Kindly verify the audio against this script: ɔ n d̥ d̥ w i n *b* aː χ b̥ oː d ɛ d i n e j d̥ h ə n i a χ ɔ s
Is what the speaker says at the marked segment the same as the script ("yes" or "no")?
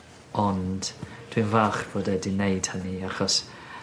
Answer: no